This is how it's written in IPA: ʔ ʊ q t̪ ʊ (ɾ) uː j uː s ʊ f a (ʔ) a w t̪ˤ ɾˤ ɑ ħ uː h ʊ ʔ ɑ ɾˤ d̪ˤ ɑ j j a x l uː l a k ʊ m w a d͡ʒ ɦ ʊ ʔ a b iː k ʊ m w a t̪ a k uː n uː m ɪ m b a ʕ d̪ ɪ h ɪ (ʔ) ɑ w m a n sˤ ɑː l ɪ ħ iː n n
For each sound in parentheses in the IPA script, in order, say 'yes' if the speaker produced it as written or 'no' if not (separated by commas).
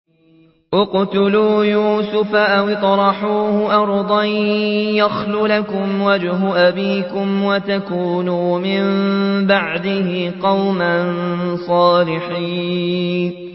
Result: no, yes, no